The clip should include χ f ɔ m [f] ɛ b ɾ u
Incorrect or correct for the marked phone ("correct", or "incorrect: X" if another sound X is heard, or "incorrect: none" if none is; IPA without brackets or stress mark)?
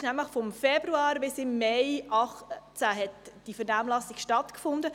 correct